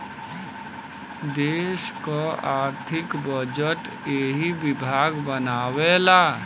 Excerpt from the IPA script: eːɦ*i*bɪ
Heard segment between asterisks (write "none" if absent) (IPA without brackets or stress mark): i